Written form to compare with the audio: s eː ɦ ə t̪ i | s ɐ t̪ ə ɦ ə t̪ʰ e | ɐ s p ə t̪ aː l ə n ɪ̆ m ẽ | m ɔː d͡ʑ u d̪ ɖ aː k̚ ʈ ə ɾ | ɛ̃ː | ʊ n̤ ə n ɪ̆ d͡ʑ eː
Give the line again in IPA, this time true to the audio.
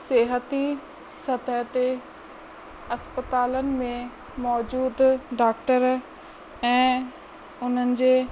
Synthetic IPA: s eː ɦ ə t̪ i | s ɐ t̪ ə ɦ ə t̪ e | ɐ s p ə t̪ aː l ə n ɪ̆ m ẽ | m ɔː d͡ʑ uː d̪ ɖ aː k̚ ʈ ə ɾ | ɛ̃ː | ʊ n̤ ə n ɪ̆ d͡ʑ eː